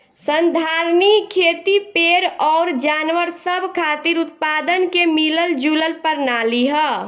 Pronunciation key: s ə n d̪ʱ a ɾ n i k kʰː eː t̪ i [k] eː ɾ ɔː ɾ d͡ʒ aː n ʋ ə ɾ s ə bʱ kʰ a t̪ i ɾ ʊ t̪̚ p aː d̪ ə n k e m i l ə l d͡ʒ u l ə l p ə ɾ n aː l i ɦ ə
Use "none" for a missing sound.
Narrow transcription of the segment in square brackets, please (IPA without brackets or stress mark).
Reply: p